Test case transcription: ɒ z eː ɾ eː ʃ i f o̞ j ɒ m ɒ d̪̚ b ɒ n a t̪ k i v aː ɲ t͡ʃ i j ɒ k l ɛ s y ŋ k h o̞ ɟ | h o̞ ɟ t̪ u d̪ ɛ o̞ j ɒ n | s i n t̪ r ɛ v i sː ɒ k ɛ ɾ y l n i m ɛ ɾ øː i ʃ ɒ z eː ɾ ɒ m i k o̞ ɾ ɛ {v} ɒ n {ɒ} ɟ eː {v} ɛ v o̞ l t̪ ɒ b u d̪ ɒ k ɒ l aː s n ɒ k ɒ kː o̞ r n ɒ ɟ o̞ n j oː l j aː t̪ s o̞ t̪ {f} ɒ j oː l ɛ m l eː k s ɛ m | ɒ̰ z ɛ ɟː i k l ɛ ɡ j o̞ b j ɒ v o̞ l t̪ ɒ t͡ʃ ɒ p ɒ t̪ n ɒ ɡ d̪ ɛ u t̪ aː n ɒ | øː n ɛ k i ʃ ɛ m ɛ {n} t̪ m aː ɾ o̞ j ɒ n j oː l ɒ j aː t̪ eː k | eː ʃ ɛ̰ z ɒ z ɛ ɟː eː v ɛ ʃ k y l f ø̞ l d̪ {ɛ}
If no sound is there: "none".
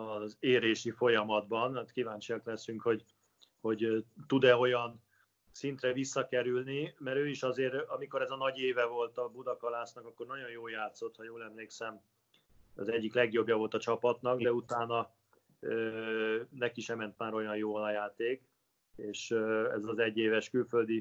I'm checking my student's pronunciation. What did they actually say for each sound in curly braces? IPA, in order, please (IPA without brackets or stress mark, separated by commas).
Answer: z, ɒ, v, h, n, i